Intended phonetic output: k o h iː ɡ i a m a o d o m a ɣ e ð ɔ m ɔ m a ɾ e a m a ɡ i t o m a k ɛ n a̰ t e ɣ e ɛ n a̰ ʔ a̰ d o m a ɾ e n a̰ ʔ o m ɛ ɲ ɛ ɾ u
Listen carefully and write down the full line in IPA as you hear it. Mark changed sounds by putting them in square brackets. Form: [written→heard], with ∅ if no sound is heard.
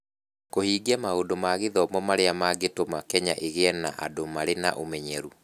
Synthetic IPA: k o h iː ɡ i a m a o d o m a ɣ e ð ɔ m ɔ m a ɾ e a m a ɡ [i→e] t o m a k ɛ [n→ɲ] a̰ [t→ʔ] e ɣ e ɛ n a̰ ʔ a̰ d o m a ɾ e n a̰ ʔ o m ɛ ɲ ɛ ɾ u